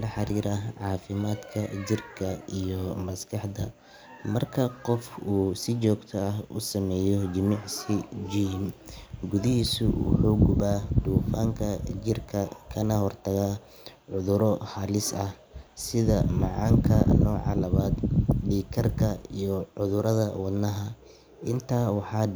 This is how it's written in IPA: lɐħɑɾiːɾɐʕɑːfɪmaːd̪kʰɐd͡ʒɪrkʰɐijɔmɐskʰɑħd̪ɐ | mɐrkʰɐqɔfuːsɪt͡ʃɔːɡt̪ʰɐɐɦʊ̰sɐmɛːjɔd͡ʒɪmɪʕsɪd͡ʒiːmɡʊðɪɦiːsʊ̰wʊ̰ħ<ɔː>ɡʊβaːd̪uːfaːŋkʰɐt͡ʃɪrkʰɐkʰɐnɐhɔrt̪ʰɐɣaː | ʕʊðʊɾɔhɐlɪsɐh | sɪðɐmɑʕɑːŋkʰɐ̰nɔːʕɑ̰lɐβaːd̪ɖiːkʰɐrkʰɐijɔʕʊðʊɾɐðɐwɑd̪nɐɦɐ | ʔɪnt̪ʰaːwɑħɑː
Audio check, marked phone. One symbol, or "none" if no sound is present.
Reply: uː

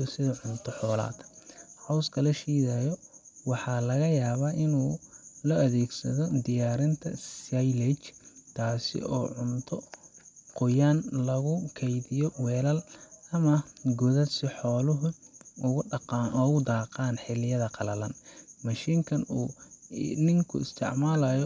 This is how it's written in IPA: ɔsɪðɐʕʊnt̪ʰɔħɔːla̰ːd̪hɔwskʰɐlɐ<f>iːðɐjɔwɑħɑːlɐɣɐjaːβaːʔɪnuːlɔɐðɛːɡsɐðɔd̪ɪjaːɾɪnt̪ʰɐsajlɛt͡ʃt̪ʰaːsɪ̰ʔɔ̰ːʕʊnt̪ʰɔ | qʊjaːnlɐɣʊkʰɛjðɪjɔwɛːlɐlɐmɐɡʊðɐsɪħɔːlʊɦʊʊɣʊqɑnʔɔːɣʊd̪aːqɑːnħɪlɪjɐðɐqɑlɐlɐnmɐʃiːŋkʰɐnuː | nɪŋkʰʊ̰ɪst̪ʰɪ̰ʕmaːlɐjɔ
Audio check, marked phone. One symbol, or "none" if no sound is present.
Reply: ʃ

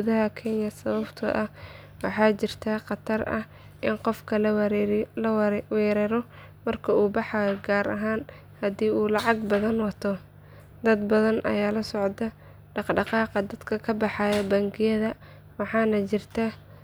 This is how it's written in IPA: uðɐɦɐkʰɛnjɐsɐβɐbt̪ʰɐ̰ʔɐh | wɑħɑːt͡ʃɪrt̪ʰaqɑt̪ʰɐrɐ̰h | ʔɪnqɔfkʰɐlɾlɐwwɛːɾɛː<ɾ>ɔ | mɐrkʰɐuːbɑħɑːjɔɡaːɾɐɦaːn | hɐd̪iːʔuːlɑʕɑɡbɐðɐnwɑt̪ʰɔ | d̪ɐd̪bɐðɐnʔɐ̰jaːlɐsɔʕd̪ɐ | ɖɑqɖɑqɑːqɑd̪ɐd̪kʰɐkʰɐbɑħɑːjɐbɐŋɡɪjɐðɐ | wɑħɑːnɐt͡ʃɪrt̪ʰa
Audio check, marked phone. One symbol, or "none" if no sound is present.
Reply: ɾ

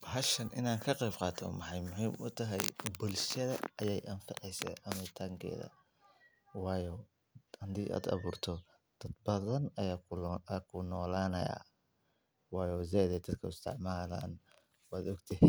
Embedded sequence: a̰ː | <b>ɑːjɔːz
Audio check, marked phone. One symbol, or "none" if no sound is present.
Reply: w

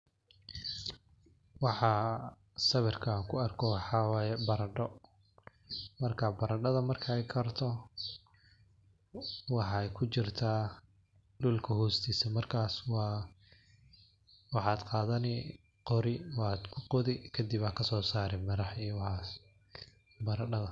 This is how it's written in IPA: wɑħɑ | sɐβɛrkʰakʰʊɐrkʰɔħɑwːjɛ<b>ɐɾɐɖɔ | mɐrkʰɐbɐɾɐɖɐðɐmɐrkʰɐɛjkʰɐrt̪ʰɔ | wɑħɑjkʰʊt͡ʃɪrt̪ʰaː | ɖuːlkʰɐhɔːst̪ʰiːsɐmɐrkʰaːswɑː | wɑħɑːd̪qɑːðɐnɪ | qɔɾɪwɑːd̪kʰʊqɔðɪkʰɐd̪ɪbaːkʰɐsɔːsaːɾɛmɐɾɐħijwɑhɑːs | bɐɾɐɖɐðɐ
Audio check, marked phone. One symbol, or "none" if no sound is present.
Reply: b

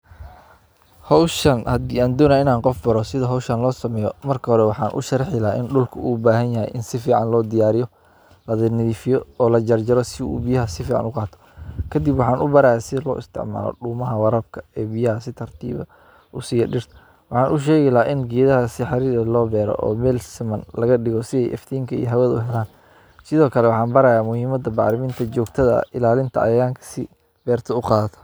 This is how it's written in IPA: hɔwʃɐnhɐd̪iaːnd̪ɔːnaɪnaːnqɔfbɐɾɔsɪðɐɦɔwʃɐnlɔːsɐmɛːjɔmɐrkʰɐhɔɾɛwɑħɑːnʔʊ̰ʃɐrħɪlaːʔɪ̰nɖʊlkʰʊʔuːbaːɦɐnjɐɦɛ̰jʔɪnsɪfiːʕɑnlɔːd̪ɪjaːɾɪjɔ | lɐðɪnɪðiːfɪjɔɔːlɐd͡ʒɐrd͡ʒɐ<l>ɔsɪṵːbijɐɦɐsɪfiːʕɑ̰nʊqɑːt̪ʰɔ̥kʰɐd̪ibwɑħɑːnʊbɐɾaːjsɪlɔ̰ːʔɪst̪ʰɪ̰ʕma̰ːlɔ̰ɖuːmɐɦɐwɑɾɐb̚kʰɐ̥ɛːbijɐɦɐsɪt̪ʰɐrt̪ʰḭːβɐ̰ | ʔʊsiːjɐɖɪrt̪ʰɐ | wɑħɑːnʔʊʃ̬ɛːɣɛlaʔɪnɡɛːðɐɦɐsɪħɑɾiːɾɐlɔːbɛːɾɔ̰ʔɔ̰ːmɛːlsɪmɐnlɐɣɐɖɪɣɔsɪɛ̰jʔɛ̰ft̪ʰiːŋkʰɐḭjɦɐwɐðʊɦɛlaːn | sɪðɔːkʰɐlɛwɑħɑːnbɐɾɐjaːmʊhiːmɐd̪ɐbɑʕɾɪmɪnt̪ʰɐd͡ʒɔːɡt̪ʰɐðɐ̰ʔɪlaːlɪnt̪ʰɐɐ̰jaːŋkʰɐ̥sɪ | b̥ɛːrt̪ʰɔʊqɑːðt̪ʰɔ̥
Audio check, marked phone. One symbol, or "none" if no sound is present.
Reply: ɾ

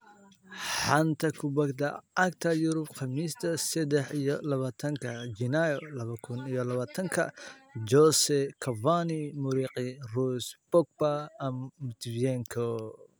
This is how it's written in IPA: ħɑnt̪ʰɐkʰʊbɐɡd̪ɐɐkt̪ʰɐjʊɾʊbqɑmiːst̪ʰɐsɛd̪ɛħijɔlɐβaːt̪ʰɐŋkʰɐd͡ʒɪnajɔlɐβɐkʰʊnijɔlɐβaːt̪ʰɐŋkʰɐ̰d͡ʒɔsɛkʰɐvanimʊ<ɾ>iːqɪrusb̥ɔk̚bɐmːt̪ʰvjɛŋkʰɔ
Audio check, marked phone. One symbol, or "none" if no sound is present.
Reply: ɾ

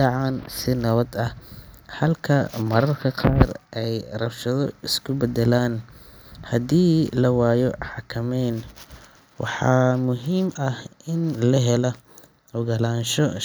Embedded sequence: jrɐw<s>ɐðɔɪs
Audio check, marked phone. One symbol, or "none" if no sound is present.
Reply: ʃ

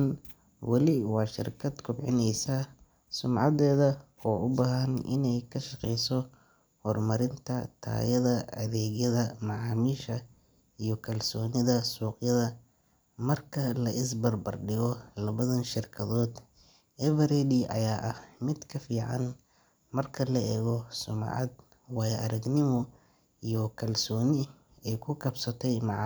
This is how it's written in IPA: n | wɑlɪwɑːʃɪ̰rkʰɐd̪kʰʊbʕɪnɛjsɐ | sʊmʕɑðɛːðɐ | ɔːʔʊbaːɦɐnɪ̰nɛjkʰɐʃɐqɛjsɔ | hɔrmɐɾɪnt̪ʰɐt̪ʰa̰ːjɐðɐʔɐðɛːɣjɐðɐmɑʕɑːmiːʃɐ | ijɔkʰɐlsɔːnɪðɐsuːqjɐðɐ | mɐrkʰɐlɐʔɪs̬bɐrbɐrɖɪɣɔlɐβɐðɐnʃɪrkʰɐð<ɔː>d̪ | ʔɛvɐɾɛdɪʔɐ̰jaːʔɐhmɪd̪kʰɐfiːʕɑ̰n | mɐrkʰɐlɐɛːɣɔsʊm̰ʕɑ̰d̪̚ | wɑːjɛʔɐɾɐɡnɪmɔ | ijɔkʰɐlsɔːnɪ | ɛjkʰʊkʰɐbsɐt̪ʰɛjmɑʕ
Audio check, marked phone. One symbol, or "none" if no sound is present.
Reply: ɔː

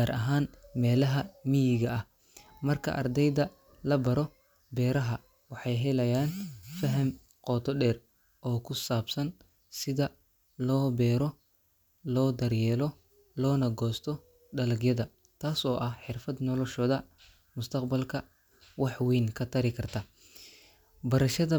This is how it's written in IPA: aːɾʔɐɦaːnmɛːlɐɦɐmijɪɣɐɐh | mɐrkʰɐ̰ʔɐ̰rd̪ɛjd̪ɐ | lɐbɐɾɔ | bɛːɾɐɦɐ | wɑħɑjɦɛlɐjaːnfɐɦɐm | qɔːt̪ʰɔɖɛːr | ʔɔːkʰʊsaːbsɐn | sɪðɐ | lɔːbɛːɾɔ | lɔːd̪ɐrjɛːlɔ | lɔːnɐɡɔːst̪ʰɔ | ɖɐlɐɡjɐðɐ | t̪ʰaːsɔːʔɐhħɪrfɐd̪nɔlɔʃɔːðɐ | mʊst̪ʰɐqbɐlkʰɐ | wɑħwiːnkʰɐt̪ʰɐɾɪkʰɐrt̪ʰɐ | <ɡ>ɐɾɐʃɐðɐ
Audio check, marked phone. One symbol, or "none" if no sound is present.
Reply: b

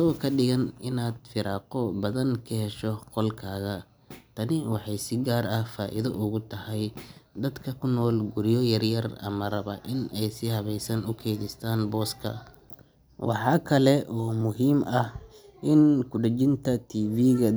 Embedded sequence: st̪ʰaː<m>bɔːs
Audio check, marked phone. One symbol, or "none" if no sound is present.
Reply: n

